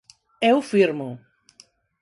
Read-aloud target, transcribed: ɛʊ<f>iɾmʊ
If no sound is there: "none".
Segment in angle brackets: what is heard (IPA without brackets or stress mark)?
f